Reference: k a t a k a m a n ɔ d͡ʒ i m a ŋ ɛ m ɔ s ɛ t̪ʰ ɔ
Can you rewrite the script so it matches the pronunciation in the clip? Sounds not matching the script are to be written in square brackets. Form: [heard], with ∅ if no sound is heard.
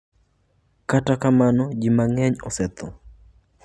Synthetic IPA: k a t a k a m a n ɔ d͡ʒ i m a ŋ ɛ [ɲ] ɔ s ɛ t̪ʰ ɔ